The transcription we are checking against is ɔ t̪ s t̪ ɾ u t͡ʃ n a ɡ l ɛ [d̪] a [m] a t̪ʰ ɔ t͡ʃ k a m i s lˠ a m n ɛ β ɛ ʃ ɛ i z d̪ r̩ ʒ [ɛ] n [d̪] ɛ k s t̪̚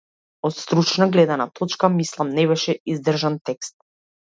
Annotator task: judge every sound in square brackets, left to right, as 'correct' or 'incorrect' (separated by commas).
correct, incorrect, incorrect, incorrect